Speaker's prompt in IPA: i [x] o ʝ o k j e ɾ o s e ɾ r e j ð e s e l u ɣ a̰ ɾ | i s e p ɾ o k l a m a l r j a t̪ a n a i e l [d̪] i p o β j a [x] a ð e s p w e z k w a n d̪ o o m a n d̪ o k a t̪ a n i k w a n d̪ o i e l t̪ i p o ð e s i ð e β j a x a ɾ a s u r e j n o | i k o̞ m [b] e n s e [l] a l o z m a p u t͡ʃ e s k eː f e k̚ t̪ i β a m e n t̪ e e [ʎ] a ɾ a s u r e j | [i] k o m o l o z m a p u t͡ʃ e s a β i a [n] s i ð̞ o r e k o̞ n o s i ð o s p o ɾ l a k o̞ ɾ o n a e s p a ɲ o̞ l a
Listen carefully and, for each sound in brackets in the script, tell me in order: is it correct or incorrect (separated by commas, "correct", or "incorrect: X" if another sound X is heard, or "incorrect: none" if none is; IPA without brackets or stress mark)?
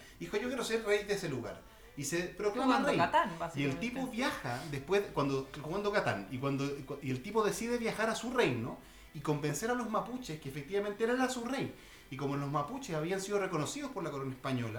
correct, incorrect: t̪, correct, correct, incorrect: ɾ, incorrect: ɾ, correct, correct